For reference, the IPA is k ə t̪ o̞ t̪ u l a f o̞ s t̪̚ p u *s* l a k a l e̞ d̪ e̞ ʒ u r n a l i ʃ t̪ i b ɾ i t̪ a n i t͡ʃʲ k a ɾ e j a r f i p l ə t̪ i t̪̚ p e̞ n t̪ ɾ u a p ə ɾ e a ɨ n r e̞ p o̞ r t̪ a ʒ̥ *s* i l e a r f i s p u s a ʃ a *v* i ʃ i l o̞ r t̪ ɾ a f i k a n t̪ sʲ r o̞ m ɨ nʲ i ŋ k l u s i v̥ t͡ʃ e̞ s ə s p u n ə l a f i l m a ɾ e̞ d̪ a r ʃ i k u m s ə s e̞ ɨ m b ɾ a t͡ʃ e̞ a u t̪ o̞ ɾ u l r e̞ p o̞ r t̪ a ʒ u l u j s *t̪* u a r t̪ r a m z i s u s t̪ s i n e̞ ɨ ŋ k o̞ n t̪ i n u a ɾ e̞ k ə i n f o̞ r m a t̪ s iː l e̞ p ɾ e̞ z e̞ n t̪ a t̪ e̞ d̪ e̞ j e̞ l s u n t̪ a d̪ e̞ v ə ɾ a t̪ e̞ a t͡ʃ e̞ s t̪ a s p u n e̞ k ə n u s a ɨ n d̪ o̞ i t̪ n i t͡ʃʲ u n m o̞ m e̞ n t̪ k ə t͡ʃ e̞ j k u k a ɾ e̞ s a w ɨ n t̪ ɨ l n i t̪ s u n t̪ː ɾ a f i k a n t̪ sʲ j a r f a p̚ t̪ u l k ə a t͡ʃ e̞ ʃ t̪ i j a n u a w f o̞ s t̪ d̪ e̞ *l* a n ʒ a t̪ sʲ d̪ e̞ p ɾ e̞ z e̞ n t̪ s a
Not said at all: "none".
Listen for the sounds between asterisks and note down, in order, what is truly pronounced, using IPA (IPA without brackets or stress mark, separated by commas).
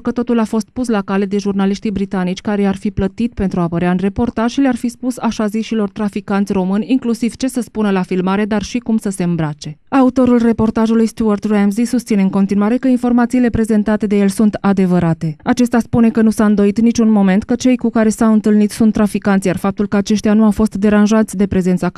s, ʃ, z, t̪, ɾ